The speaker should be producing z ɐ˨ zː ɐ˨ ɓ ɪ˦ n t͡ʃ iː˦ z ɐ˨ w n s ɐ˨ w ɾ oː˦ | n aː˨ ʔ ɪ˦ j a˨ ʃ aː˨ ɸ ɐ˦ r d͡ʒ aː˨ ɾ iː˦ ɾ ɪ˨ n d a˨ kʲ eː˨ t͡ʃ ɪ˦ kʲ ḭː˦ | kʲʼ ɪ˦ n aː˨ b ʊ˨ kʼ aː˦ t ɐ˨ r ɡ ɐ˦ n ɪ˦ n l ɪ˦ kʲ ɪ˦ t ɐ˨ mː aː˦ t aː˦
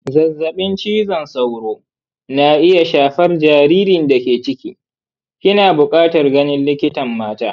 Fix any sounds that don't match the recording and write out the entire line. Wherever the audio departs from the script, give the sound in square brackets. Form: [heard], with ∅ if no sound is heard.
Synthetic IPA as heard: z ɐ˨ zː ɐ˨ ɓ ɪ˦ n t͡ʃ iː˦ z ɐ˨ [∅] n s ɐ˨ w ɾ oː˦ | n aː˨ ʔ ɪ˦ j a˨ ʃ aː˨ ɸ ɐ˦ r d͡ʒ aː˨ ɾ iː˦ ɾ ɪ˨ n d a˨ kʲ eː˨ t͡ʃ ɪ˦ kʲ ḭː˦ | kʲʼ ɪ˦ n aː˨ b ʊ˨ kʼ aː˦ t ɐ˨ r ɡ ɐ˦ n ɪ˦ n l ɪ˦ kʲ ɪ˦ t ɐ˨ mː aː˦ t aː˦